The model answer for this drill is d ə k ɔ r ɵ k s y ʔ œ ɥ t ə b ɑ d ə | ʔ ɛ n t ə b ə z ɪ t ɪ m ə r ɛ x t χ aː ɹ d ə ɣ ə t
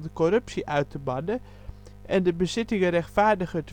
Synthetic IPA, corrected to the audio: d ə k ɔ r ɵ p s i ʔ œ ɥ t ə b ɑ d ə | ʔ ɛ n d ə b ə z ɪ t ɪ ŋ ə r ɛ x t f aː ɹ d ə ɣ ə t